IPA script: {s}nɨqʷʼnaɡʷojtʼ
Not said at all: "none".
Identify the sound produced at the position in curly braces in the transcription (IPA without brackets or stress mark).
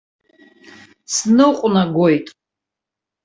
s